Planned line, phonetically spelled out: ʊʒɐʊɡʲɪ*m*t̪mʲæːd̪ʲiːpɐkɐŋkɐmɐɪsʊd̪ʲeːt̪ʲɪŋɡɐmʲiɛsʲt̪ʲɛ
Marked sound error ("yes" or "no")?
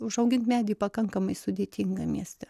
yes